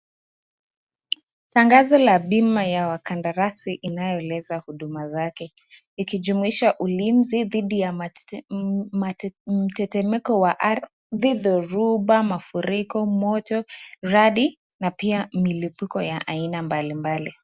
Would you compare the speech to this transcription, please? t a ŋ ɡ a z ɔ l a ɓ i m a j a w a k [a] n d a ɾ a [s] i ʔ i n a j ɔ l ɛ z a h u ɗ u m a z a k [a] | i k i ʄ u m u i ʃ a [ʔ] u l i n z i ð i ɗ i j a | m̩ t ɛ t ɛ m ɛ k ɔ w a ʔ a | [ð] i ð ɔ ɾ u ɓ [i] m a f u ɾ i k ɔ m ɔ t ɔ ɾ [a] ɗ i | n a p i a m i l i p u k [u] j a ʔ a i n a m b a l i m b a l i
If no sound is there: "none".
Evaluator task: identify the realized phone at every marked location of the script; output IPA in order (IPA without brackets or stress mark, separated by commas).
a, s, ɛ, ʔ, ð, a, a, ɔ